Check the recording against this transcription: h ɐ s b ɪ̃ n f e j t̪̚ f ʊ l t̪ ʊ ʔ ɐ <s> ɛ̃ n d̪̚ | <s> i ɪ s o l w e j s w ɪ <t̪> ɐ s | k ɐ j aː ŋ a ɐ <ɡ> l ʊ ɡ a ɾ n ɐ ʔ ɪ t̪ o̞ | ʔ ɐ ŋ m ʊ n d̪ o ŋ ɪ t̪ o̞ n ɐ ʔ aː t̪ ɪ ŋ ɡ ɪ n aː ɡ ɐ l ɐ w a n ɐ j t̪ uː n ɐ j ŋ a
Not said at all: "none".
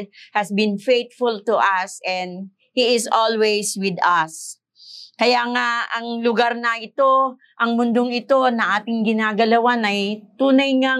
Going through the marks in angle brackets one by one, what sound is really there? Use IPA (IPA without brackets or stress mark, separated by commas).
s, h, d̪, ŋ